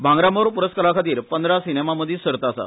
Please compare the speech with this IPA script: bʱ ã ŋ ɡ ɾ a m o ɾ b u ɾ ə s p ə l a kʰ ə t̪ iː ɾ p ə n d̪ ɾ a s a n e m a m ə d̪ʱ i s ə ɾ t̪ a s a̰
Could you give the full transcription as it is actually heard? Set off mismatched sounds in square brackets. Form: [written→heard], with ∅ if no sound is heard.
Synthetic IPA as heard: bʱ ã ŋ ɡ ɾ a m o ɾ [b→p] u ɾ ə s [p→k] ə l a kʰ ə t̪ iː ɾ p ə n d̪ ɾ a s [a→i] n e m a m ə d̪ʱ i s ə ɾ t̪ a s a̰